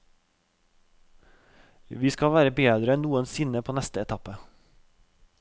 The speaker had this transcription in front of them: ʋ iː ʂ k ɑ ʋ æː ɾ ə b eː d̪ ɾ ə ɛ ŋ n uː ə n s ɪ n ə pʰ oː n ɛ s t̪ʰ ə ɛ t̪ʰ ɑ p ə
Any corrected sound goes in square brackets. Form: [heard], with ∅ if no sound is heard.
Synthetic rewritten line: ʋ iː [s] k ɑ ʋ æː ɾ ə b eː d̪ ɾ ə ɛ [n] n uː ə n s ɪ n ə pʰ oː n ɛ s [t̪] ə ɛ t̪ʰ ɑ p ə